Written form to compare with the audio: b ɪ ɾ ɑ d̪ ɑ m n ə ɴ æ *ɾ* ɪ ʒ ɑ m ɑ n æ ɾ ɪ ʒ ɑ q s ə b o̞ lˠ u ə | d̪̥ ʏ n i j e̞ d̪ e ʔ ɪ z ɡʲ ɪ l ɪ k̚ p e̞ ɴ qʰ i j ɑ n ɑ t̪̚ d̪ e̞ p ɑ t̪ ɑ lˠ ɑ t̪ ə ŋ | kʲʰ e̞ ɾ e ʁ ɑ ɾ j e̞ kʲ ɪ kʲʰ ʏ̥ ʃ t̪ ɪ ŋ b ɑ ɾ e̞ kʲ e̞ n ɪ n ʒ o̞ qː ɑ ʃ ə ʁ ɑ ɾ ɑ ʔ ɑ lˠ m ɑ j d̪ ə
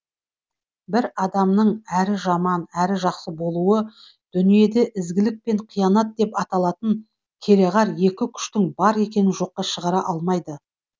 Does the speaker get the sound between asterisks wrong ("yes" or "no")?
no